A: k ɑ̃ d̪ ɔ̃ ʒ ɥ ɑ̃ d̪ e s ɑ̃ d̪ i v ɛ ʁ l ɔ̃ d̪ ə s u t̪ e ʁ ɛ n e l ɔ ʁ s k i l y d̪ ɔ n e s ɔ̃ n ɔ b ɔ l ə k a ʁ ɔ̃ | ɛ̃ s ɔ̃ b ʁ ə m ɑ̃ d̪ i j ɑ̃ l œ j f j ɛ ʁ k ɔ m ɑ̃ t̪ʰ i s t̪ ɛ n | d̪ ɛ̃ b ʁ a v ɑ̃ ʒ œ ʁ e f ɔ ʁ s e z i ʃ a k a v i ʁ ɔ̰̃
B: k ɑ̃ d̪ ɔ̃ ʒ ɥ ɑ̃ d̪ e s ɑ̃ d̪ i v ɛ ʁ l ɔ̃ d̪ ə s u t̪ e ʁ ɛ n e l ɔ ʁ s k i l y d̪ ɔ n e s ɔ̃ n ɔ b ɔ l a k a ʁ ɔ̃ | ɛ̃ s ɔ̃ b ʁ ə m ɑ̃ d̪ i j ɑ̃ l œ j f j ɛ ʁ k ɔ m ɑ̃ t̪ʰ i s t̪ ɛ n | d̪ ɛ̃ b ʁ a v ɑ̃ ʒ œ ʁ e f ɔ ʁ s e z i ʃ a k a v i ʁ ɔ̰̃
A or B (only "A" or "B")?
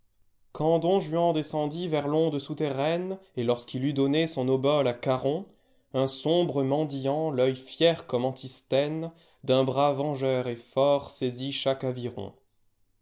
B